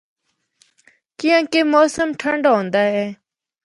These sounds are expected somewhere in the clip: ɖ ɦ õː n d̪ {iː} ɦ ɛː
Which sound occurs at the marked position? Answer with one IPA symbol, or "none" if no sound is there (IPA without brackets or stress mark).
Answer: aː